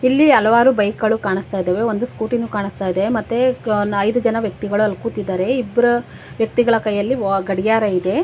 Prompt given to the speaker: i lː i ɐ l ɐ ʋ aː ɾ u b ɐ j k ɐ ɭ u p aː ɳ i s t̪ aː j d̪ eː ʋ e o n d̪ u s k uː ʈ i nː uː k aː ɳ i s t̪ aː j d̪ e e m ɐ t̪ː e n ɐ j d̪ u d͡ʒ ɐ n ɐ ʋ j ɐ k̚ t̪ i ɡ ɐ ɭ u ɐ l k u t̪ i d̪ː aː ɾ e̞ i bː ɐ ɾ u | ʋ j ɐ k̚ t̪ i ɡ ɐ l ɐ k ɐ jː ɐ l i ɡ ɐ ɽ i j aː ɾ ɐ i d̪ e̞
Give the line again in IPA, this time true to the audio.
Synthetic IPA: i lː i ɐ l ɐ ʋ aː ɾ u b ɐ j k ɐ ɭ u k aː ɳ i s t̪ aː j d̪ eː ʋ e o n d̪ u s k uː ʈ i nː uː k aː ɳ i s t̪ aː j d̪ e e m ɐ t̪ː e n ɐ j d̪ u d͡ʒ ɐ n ɐ ʋ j ɐ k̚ t̪ i ɡ ɐ ɭ u ɐ l k u t̪ i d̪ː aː ɾ e̞ i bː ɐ ɾ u | ʋ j ɐ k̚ t̪ i ɡ ɐ ɭ ɐ k ɐ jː ɐ lː i ɡ ɐ ɽ i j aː ɾ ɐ i d̪ e̞